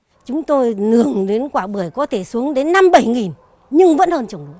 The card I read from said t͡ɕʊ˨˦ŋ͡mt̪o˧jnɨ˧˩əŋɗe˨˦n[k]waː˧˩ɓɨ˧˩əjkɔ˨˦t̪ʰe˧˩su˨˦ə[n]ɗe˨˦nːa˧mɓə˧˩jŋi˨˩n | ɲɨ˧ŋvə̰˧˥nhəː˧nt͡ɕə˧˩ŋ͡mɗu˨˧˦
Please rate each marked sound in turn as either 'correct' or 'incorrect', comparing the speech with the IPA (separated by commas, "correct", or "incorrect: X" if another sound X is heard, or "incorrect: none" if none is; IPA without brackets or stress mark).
correct, incorrect: ŋ